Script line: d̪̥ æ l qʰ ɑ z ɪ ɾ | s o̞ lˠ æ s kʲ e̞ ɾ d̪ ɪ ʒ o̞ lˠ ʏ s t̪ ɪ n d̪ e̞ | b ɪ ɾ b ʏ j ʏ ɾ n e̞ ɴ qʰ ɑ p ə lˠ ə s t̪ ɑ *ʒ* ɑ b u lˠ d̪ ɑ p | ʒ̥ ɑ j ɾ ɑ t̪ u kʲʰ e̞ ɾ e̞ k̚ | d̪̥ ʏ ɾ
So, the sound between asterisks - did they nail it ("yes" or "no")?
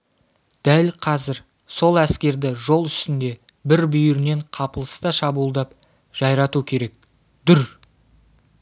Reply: no